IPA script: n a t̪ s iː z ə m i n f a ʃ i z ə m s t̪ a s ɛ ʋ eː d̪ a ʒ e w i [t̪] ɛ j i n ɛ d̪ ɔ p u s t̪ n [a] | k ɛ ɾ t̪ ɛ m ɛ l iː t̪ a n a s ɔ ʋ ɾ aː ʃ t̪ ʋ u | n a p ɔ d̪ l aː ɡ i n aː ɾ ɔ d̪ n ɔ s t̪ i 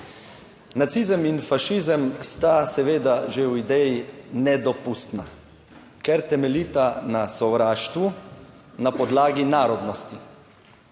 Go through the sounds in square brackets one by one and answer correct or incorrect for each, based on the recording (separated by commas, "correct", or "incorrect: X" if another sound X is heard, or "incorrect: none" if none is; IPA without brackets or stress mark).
incorrect: d̪, correct